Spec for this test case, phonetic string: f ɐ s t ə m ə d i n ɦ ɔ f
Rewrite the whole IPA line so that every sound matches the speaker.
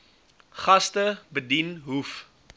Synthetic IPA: χ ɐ s t ə b ə d i n ɦ u f